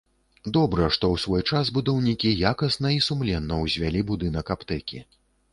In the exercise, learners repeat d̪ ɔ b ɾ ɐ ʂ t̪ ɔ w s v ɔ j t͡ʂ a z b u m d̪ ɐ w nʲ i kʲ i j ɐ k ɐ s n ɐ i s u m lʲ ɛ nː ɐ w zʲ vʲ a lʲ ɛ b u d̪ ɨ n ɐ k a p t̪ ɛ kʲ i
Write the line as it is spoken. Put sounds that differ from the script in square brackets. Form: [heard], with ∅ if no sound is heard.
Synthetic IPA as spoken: d̪ ɔ b ɾ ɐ ʂ t̪ ɔ w s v ɔ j t͡ʂ a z b u [∅] d̪ ɐ w nʲ i kʲ i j [a] k ɐ s n ɐ i s u m lʲ ɛ nː ɐ w zʲ vʲ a lʲ [i] b u d̪ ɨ n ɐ k a p t̪ ɛ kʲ i